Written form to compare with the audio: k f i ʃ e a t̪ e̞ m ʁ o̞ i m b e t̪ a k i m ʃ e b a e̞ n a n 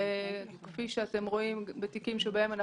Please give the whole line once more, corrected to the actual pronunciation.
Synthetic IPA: k f i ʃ e a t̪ e̞ m ʁ o̞ i m b e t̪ i k i m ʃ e b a e̞ m a n